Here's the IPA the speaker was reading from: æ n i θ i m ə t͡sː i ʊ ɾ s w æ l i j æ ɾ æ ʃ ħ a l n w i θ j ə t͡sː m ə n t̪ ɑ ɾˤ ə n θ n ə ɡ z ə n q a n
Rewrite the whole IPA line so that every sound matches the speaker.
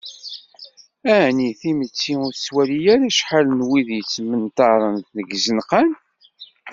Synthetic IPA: æ n i θ i m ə t͡sː i ʊ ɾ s w æ l i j æ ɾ æ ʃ ħ a l n w i ð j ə t͡sː m ə n t̪ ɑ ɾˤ ə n θ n ə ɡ z ə n q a n

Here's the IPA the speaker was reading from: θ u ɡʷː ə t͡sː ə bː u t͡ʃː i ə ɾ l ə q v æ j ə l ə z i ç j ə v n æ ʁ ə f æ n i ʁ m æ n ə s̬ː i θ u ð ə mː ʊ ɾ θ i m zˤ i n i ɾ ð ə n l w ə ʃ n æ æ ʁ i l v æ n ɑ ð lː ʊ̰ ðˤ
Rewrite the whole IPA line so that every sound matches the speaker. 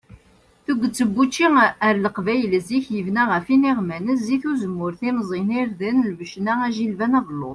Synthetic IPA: θ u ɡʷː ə t͡sː ə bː u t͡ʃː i ə ɾ l ə q v æ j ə l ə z i ç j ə v n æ ʁ ə f i n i ʁ m æ n ə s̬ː i θ u z ə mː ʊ ɾ θ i m zˤ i n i ɾ ð ə n l v ə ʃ n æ æ ʒ i l v æ n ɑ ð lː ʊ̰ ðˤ

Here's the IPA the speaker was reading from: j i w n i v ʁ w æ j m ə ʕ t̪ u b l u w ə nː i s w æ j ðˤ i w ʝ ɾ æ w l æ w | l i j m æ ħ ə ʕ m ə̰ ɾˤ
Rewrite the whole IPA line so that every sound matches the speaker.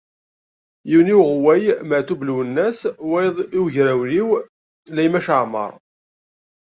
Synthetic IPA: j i w n i w ʁ w æ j m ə ʕ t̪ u b l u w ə nː æ s w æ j ðˤ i w ʝ ɾ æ w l i w | l æ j m æ ʃ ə ʕ m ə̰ ɾˤ

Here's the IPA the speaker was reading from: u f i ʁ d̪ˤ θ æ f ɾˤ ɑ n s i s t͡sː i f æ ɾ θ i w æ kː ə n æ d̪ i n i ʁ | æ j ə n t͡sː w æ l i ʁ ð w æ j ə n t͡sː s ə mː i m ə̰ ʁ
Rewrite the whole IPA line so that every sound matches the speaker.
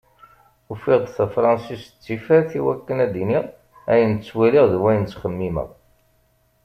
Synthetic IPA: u f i ʁ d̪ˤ θ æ f ɾˤ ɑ n s i s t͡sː i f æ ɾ θ i w æ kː ə n æ d̪ i n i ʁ | æ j ə n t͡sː w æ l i ʁ ð w æ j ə n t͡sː χ ə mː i m ə̰ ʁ

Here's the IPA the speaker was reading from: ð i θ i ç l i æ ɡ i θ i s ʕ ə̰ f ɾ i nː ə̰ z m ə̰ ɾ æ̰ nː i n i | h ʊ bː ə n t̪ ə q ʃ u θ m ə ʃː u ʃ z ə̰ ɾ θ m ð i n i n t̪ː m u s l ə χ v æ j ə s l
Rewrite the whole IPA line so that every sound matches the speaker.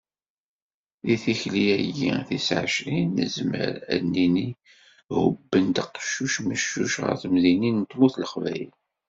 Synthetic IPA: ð i θ i ç l i æ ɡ i θ i s ʕ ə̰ ʃ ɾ i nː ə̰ z m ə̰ ɾ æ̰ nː i n i | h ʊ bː ə n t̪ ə q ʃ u ʃ m ə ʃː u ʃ ʁ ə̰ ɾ θ m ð i n i n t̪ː m u θ l ə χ v æ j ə l

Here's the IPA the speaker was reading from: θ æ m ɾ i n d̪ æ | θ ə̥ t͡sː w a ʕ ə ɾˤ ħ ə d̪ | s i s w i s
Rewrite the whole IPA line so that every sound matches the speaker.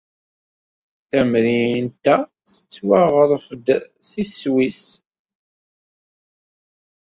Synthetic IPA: θ æ m ɾ i n t̪ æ | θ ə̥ t͡sː w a ʁ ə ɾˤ f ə d̪ | s i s w i s

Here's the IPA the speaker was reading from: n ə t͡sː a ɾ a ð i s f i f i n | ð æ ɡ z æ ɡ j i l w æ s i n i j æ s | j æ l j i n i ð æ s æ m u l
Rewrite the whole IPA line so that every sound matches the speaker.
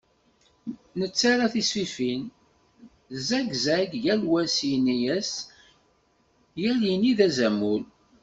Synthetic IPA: n ə t͡sː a ɾ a θ i s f i f i n | z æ ɡ z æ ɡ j æ l w æ s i n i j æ s | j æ l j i n i ð æ z æ m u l

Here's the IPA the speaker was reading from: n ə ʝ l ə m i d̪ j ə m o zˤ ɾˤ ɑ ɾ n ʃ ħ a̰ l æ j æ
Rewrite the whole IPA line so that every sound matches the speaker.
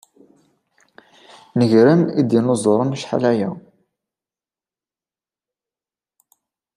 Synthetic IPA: n ə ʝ ɾ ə m i d̪ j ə n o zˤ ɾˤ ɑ n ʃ ħ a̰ l æ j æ

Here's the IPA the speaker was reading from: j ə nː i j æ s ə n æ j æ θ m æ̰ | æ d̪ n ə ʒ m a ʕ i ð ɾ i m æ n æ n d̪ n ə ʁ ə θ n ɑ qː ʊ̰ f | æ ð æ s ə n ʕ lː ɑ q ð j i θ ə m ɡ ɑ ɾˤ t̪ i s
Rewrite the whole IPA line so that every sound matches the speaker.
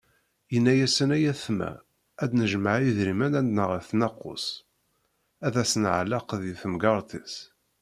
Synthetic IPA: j ə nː æ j æ s ə n æ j æ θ m æ̰ | æ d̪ n ə ʒ m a ʕ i ð ɾ i m æ n æ n d̪ n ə ʁ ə θ n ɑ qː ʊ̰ s | æ ð æ s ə n ʕ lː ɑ q ð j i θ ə m ɡ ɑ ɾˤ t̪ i s

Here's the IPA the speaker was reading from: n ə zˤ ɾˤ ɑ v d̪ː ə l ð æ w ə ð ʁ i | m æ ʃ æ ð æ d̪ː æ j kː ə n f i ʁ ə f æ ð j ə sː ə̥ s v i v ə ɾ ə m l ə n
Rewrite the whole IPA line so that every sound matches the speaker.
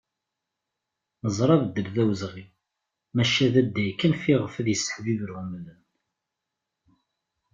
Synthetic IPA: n ə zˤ ɾˤ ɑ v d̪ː ə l ð æ w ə z ʁ i | m æ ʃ æ ð æ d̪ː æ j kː ə n f i ʁ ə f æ ð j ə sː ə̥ ħ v i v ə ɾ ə m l ə n

